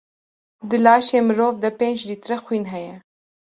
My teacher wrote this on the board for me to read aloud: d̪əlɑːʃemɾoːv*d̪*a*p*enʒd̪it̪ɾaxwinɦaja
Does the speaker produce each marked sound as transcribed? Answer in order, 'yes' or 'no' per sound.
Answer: yes, yes

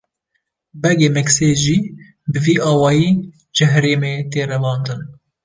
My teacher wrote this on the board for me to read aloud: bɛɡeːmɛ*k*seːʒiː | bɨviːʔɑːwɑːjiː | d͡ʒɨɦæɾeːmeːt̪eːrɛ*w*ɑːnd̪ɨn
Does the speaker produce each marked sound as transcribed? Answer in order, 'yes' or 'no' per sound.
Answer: yes, no

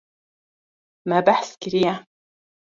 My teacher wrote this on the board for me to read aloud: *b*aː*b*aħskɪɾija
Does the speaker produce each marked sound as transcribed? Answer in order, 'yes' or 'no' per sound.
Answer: no, yes

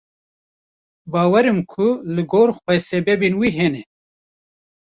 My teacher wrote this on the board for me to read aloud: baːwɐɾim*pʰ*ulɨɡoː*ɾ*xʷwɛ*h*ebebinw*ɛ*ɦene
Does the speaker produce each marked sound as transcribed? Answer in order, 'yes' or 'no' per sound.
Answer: no, yes, no, no

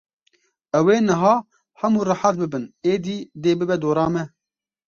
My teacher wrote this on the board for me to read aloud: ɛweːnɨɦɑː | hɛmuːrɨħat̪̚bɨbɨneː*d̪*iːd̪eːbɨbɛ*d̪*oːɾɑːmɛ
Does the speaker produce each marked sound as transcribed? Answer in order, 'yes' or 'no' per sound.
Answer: yes, yes

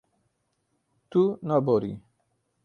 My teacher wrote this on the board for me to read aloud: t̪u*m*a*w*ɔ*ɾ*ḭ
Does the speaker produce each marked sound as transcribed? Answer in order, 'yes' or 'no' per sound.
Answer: no, no, yes

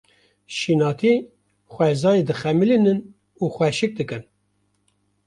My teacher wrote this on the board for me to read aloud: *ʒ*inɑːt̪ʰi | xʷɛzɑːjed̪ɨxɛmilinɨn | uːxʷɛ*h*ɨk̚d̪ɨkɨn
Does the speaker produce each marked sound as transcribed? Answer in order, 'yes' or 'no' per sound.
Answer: no, no

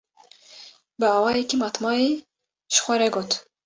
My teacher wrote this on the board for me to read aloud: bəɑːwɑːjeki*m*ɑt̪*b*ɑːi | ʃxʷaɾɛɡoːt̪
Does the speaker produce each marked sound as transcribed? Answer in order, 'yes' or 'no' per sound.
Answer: yes, no

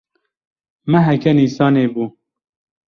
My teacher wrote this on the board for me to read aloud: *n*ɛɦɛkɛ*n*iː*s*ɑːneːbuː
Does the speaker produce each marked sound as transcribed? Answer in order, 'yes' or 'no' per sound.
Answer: no, yes, yes

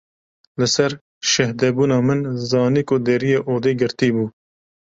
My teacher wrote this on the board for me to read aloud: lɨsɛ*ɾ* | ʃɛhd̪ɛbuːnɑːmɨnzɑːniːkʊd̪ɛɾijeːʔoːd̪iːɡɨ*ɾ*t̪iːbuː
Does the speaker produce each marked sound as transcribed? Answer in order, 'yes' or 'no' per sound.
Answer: yes, yes

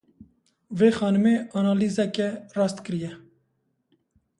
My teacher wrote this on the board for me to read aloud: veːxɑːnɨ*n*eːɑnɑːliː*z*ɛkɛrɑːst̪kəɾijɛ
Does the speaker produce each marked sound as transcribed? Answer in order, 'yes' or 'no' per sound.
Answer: no, yes

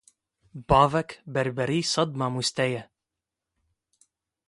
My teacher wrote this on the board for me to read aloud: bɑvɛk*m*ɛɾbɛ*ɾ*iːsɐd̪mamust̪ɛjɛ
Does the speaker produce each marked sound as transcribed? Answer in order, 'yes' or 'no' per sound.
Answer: no, yes

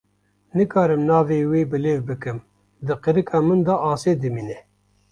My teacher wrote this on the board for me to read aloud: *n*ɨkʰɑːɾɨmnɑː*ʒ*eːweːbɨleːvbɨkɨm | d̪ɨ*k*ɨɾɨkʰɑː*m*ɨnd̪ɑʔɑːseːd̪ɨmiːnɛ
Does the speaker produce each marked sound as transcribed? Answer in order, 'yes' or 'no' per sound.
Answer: yes, no, no, yes

